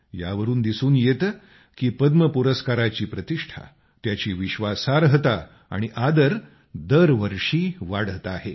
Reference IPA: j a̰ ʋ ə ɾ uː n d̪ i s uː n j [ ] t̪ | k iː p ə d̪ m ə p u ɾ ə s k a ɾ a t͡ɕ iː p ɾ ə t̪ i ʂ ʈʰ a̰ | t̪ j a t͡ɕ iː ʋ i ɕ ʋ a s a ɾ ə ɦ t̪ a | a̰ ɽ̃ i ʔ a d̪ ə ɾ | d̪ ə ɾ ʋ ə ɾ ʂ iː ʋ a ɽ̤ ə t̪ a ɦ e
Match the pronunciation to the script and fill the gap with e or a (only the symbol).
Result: e